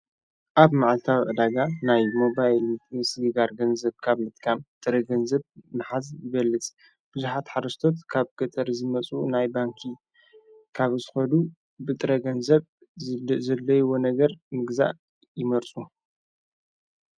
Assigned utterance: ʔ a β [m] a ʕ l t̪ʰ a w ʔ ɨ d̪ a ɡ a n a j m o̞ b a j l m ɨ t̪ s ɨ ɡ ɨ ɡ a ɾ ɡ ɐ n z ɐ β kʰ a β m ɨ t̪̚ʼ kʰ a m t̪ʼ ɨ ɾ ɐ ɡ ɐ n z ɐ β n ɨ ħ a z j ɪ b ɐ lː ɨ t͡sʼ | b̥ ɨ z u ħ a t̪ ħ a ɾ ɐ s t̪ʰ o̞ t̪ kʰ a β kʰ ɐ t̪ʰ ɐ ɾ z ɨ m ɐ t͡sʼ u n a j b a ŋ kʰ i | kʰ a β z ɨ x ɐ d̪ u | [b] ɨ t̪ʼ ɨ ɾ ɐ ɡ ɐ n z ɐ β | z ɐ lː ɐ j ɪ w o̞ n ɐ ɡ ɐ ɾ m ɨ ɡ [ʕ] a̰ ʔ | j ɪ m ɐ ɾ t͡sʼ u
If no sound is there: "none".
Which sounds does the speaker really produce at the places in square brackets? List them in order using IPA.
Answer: m, b, z

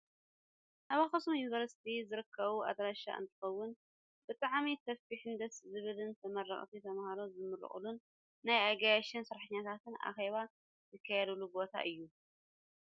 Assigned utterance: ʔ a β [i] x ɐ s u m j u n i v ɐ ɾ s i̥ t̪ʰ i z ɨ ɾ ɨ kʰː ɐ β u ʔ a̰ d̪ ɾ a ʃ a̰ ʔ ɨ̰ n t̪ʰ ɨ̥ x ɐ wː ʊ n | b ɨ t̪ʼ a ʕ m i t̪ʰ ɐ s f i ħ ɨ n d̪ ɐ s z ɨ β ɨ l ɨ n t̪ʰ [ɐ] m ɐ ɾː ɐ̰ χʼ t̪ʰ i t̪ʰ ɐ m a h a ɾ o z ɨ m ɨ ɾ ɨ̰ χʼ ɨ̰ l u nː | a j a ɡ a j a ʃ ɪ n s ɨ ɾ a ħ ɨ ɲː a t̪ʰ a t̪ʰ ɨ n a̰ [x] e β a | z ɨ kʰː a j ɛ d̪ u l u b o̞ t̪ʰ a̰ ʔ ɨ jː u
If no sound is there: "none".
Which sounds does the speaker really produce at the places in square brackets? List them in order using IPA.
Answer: a, ɐ, x

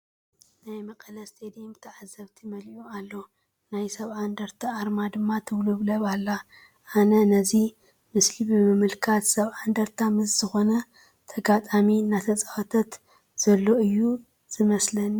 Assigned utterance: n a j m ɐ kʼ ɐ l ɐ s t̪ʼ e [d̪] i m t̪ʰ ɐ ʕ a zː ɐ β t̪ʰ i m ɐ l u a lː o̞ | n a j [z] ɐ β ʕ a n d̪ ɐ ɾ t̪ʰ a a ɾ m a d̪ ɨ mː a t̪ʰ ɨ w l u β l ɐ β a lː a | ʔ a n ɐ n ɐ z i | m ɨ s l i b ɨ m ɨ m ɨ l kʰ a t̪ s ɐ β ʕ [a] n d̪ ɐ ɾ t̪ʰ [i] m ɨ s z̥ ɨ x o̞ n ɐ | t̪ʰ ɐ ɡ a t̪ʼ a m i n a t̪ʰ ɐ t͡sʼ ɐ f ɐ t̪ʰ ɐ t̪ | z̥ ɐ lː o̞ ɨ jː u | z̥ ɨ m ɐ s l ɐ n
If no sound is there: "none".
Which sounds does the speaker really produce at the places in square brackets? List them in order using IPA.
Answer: d̪, s, a, a

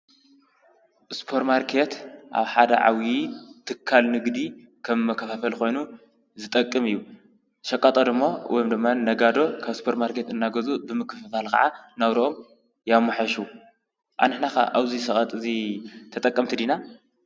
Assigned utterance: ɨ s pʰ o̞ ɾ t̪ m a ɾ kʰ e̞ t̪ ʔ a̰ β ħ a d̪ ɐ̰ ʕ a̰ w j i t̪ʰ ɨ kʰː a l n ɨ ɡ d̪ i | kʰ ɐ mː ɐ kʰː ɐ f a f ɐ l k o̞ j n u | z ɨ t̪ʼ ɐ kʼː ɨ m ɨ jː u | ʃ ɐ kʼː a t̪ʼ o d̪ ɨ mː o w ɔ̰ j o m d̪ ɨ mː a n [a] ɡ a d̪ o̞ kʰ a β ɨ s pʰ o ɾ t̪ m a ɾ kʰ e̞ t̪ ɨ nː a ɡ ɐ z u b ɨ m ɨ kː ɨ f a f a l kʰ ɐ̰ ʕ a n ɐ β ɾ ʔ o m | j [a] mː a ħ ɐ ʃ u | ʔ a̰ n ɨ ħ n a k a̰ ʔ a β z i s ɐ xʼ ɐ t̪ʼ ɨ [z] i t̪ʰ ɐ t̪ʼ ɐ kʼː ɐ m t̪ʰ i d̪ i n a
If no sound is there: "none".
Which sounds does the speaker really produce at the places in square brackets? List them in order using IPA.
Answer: ɐ, a, z

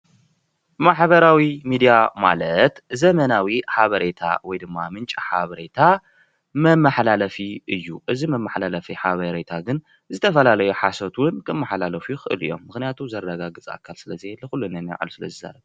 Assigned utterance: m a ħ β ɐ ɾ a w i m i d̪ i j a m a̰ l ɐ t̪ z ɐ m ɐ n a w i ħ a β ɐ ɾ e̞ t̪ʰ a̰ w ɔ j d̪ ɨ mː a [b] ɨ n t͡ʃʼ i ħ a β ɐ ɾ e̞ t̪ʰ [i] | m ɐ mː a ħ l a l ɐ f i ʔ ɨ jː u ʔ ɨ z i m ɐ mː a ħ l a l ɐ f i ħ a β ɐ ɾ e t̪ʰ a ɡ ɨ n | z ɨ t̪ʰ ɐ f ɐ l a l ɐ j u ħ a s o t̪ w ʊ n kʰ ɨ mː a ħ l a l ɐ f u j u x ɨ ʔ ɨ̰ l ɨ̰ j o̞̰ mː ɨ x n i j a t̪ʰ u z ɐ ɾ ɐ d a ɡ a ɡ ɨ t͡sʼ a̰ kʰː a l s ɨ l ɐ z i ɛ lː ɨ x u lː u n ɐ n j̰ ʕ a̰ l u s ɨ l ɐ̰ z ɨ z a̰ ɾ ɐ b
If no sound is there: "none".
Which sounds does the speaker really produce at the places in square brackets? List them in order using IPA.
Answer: m, a

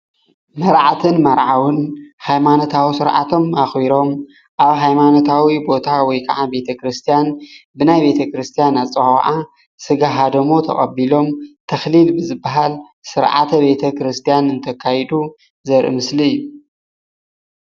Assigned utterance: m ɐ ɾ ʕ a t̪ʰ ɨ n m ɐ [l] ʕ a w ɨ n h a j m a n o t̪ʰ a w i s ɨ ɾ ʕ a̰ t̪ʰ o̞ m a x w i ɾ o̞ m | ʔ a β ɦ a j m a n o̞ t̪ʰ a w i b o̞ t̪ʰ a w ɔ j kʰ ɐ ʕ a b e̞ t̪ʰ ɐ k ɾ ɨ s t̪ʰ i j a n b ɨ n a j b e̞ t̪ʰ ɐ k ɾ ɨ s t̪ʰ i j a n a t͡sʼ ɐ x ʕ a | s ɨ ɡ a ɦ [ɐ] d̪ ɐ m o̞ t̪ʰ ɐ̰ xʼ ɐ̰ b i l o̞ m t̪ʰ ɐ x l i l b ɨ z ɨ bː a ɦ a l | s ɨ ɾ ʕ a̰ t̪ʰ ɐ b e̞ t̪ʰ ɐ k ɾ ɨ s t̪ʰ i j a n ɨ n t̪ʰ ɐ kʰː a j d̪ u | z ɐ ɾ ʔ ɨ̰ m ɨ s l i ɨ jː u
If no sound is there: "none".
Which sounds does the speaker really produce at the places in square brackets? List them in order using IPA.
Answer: ɾ, a

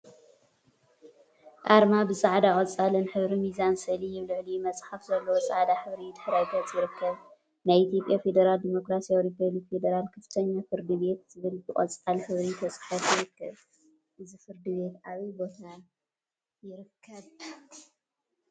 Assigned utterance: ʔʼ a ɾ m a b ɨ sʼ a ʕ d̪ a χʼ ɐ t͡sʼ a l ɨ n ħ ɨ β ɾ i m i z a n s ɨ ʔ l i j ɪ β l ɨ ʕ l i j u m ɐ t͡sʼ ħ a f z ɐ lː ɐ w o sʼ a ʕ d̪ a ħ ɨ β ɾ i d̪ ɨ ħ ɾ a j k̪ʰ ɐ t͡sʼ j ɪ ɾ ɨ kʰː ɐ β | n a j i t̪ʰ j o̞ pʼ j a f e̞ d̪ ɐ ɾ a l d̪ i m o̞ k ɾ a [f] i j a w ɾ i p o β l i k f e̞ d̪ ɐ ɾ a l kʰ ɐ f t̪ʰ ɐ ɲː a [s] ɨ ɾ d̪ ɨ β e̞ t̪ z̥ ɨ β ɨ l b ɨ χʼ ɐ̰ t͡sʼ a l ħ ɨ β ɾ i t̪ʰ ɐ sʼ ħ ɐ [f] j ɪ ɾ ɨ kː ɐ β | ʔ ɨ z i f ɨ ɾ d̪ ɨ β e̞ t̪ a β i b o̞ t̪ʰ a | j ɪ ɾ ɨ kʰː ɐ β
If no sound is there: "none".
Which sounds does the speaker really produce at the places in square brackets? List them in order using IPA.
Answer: s, f, f

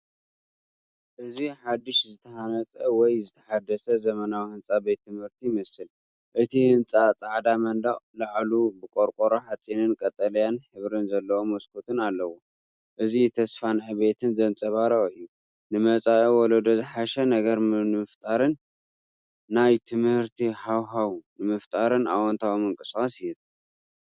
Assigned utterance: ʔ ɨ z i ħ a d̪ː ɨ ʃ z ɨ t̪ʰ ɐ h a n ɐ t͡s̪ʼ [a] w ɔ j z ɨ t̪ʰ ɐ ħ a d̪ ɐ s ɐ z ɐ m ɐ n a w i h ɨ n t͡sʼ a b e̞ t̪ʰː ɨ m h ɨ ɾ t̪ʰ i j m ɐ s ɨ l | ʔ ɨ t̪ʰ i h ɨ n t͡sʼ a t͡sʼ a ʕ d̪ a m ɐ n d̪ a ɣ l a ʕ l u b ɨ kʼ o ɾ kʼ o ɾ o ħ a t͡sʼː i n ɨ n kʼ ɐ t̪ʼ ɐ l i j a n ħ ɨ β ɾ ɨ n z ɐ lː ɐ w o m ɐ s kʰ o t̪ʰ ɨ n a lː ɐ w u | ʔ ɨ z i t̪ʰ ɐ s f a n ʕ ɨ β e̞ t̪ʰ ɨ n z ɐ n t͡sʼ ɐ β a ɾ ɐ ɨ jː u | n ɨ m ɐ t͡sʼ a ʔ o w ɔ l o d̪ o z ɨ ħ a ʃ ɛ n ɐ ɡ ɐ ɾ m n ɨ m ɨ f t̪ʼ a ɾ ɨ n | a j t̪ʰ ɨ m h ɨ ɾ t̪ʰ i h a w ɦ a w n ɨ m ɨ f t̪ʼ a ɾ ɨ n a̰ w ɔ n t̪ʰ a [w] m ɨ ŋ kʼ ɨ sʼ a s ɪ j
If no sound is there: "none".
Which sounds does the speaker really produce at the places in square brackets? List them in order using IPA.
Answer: ɐ, w

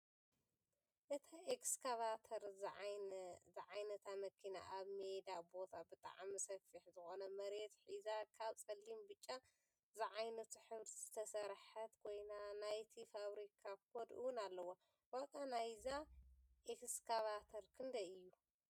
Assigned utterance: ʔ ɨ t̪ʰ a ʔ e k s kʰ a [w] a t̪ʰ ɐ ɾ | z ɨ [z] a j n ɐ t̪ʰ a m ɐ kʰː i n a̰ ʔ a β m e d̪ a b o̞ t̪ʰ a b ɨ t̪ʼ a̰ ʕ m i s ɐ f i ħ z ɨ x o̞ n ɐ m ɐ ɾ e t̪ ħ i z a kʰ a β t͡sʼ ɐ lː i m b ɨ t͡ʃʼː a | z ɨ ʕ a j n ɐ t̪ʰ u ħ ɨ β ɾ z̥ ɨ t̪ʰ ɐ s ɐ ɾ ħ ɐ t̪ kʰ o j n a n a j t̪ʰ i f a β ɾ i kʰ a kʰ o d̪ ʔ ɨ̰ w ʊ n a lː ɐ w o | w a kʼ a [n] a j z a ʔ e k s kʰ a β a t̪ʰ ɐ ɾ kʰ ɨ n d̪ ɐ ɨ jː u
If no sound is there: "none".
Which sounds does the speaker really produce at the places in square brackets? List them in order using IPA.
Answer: β, ʕ, n

